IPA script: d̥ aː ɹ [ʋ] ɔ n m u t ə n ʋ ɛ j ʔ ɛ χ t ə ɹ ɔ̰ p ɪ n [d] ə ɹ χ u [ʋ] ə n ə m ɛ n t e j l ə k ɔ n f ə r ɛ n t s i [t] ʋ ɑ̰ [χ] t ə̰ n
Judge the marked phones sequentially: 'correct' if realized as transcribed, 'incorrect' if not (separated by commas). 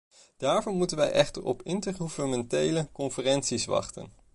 incorrect, incorrect, incorrect, incorrect, correct